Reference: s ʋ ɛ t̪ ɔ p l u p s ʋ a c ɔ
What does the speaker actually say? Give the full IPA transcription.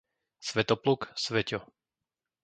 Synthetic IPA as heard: s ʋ ɛ t̪ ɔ p l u k s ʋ ɛ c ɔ

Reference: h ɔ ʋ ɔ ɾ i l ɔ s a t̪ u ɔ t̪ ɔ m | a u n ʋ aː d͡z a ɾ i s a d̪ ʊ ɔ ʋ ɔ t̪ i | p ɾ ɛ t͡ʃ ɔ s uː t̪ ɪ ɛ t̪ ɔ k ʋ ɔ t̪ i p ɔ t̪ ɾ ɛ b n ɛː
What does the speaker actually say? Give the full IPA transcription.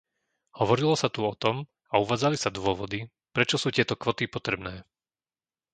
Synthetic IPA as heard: h ɔ ʋ ɔ ɾ i l ɔ s a t̪ u ɔ t̪ ɔ m | a u ʋ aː d͡z a l i s a d̪ ʊ ɔ ʋ ɔ d̪ i | p ɾ ɛ t͡ʃ ɔ s uː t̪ ɪ ɛ t̪ ɔ k ʋ ɔ t̪ i p ɔ t̪ ɾ ɛ b n ɛː

